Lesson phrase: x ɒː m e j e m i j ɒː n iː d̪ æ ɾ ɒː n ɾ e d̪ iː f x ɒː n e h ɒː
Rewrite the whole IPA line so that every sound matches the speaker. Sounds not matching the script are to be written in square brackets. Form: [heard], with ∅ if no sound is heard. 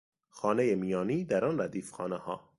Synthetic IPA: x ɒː [n] e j e m i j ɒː n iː d̪ æ ɾ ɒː n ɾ [æ] d̪ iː f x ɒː n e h ɒː